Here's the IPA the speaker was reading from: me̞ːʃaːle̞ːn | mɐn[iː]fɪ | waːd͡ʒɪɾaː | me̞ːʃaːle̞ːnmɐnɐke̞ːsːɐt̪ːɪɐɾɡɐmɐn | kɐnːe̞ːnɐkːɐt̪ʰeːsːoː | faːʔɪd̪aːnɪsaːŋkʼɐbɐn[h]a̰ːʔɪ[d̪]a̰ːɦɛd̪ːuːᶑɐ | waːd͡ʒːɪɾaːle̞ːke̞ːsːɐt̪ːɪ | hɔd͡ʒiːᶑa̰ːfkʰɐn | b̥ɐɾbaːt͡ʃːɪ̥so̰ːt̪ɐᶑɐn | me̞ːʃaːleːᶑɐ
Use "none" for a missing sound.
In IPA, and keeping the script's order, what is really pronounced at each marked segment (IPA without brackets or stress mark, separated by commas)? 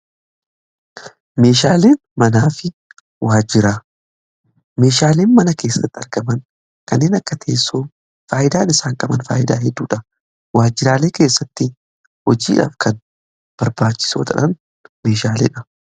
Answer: aː, f, d̪